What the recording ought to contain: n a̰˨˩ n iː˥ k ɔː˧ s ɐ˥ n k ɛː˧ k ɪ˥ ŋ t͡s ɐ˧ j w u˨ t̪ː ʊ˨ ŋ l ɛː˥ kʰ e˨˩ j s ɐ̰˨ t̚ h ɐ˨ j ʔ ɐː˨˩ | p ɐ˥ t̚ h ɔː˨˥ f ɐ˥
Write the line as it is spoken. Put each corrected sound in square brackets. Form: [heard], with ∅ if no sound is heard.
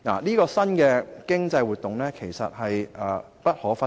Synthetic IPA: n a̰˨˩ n iː˥ k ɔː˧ s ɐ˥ n k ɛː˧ k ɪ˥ ŋ t͡s ɐ˧ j w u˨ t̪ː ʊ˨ ŋ l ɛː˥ kʰ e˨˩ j s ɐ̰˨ t̚ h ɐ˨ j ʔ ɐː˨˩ | p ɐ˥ t̚ h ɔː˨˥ f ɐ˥